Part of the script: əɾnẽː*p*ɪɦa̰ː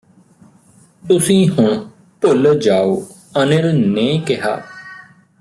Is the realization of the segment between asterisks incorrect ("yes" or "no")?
yes